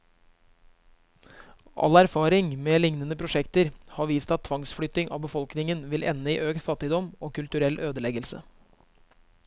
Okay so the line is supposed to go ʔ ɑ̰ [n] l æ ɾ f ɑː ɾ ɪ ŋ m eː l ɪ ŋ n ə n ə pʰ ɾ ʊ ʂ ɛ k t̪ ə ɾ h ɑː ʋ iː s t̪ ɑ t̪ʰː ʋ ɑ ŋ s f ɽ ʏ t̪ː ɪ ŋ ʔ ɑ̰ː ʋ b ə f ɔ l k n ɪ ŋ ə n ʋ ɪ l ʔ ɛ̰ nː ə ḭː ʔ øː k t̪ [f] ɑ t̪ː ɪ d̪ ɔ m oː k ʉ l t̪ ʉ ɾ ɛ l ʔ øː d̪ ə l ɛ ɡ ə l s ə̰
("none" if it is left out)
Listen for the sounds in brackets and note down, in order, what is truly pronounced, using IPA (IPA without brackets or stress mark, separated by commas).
none, f